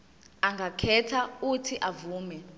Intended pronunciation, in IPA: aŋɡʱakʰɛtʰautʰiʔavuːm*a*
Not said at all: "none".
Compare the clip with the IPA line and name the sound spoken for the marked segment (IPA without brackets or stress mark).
ɛ